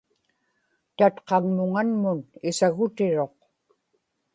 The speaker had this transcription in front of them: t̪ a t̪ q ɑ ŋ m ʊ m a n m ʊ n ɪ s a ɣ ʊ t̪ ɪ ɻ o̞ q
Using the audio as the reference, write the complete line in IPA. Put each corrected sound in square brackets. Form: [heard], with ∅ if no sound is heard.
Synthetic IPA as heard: t̪ a t̪ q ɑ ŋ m ʊ [ŋ] a n m ʊ n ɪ s a ɣ ʊ t̪ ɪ ɻ o̞ q